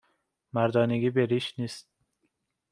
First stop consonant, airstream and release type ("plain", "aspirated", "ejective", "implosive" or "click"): plain